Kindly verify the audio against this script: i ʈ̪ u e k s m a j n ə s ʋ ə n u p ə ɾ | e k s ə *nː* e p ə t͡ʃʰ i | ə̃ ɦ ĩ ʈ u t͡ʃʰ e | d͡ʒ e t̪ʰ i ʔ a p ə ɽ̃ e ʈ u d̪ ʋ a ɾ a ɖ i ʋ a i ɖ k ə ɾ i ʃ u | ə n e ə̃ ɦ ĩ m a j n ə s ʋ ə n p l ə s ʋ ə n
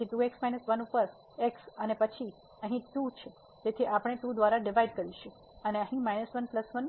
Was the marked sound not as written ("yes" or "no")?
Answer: yes